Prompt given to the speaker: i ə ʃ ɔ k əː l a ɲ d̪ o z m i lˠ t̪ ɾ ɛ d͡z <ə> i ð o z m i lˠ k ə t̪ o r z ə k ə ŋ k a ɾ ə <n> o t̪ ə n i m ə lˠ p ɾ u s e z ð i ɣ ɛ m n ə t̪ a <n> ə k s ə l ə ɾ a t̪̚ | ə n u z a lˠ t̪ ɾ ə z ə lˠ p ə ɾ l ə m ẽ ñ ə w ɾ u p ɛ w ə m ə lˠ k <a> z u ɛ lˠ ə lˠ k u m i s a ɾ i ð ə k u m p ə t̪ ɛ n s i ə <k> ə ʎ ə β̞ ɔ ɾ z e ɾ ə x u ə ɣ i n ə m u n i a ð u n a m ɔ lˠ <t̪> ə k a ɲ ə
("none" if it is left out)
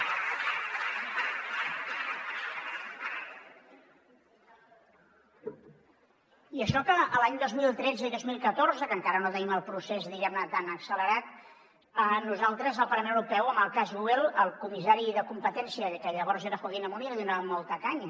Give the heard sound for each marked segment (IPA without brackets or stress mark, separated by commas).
ə, n, n, a, k, t̪